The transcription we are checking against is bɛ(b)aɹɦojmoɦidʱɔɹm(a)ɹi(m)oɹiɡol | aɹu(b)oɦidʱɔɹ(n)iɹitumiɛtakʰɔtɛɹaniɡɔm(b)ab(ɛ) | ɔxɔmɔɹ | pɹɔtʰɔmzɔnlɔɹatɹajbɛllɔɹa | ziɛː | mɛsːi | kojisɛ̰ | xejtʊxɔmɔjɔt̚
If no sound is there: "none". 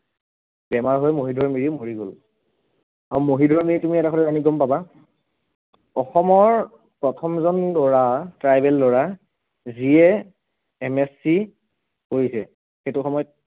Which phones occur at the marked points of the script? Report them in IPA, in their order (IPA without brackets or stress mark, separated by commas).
m, i, m, m, m, p, a